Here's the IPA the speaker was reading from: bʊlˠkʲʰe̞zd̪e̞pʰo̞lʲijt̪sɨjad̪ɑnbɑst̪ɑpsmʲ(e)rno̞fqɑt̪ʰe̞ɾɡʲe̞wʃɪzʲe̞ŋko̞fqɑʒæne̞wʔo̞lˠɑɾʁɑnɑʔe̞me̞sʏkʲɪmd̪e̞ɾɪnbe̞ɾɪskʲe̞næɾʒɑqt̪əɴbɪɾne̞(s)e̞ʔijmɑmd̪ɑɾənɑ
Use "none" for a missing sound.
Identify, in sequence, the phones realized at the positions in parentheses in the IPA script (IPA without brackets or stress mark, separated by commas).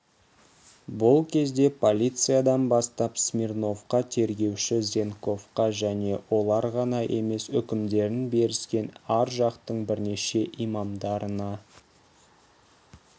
i, ʃ